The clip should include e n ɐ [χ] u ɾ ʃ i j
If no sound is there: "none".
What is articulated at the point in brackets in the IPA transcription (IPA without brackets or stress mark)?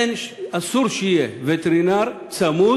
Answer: s